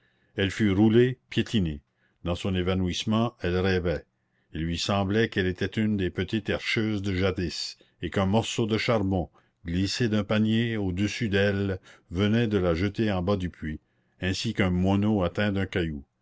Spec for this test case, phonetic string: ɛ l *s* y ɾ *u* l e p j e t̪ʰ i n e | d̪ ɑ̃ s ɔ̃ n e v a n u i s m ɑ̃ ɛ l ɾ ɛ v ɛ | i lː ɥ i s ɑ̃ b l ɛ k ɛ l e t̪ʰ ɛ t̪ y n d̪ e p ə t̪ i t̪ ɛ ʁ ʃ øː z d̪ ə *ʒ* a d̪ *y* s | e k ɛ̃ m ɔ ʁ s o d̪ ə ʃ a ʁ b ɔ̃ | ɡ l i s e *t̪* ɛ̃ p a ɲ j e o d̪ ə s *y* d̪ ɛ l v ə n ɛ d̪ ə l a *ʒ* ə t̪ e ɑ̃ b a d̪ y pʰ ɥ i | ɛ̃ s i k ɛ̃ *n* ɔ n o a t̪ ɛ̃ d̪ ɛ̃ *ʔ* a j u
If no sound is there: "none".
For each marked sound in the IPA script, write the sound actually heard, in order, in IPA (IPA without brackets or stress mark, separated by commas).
f, u, ʒ, i, d̪, y, ʒ, m, k